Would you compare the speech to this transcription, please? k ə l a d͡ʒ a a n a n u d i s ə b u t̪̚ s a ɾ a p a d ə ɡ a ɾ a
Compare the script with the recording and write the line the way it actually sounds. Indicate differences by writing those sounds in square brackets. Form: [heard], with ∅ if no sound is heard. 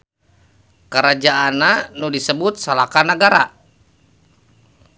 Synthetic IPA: k ə [ɾ] a d͡ʒ a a n a n u d i s ə b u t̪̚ s a [l] a [k] a [n] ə ɡ a ɾ a